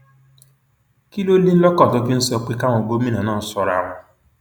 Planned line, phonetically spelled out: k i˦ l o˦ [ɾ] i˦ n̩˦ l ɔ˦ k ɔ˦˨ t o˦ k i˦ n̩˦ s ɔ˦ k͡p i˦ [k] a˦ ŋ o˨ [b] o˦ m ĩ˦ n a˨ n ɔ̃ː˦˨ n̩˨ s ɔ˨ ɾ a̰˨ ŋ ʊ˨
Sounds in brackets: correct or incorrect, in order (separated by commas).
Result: incorrect, correct, incorrect